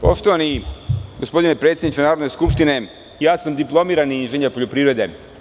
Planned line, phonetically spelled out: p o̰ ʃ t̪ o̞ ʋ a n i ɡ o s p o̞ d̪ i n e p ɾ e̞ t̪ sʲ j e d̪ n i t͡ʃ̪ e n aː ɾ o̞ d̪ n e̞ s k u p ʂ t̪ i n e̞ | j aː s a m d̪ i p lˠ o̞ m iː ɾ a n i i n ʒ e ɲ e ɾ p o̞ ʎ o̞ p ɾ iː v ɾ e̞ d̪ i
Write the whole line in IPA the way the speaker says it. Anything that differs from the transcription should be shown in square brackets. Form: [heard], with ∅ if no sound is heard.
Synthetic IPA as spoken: p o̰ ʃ t̪ o̞ ʋ a n i ɡ o s p o̞ d̪ i n e p ɾ e̞ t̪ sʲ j e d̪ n i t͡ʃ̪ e n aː ɾ o̞ d̪ n e̞ s k u p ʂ t̪ i n e̞ | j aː s a m d̪ i p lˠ o̞ m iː ɾ a n i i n ʒ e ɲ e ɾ p o̞ ʎ o̞ p ɾ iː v ɾ e̞ d̪ [e]